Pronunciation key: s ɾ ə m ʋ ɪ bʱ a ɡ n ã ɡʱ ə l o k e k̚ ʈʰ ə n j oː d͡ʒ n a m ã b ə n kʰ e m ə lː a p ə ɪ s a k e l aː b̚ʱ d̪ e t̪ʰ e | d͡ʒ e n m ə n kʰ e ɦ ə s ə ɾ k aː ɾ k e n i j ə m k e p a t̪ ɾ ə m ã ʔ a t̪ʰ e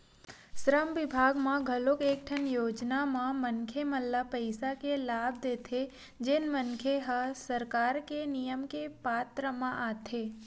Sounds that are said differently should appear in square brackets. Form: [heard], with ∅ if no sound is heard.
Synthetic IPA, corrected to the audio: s ɾ ə m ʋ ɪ bʱ a ɡ [m] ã ɡʱ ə l o k e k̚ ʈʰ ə n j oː d͡ʒ n a m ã [m] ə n kʰ e m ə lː a p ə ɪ s a k e l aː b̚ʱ d̪ e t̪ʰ e | d͡ʒ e n m ə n kʰ e ɦ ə s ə ɾ k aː ɾ k e n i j ə m k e p a t̪ ɾ ə m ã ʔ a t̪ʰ e